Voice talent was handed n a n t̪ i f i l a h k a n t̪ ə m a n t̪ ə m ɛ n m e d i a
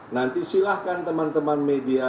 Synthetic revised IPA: n a n t̪ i s i l a h k a n t̪ ə m a n t̪ ə m a n m e d i a